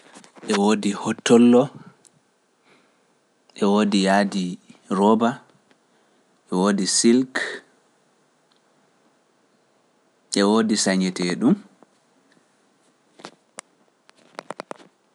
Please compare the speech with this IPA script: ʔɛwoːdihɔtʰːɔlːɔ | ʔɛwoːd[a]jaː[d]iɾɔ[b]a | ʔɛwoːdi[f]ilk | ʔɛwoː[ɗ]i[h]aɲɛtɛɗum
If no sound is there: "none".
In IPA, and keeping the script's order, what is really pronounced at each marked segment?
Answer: i, d, b, s, d, s

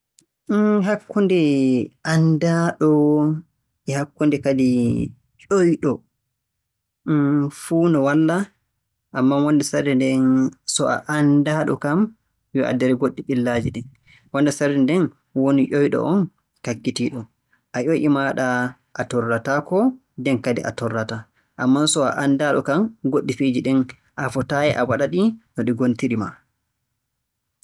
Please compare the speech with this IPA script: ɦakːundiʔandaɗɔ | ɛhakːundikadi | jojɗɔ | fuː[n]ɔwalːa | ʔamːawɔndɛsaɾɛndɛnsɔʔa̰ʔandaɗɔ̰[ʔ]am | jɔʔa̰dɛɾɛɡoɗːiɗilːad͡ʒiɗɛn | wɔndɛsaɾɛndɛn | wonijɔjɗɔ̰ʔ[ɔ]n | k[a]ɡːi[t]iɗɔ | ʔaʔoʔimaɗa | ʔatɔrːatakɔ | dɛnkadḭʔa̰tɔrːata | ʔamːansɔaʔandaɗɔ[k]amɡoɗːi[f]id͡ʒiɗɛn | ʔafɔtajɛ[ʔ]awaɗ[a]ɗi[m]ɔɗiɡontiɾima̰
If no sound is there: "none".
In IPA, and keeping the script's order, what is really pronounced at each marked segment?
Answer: n, k, ɔ, a, t, k, f, ʔ, a, n

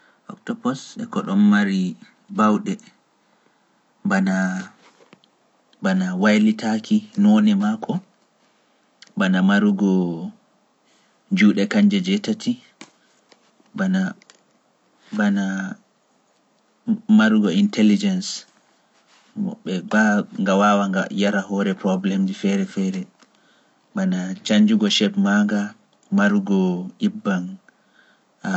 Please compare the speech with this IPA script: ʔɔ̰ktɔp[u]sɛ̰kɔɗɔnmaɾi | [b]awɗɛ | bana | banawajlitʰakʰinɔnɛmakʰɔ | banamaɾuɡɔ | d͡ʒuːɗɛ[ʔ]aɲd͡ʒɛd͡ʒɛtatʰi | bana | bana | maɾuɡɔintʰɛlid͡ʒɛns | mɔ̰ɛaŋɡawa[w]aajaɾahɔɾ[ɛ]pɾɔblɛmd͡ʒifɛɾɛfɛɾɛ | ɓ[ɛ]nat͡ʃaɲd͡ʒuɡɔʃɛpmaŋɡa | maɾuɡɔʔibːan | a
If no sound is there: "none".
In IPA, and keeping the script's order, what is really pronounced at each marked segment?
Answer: ɔ, b, k, w, ɛ, a

